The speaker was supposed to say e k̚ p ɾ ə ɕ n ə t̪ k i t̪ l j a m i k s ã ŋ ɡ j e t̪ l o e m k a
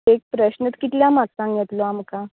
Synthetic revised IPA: e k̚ p ɾ ə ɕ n ə t̪ k i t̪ l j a m a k s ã ŋ ɡ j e t̪ l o a m k a